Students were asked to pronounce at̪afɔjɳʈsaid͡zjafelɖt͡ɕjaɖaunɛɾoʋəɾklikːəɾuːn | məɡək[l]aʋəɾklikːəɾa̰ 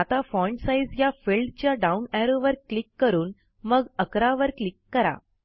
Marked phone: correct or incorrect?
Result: incorrect